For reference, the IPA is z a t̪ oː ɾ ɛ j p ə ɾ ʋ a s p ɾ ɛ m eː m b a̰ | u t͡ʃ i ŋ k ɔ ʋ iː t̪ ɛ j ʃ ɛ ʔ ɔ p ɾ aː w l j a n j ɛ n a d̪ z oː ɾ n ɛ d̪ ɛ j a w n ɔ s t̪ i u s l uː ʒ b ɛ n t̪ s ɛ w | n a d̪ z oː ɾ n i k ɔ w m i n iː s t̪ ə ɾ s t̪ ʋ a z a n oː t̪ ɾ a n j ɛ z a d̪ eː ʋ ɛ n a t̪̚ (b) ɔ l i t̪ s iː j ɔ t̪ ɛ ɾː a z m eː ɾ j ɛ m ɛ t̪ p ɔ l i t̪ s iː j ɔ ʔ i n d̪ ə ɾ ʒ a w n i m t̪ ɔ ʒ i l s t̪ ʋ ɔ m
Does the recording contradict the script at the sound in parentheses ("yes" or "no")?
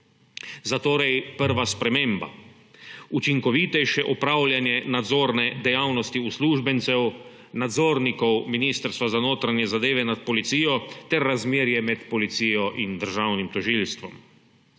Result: yes